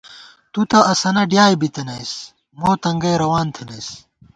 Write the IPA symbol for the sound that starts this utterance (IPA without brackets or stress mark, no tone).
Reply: t̪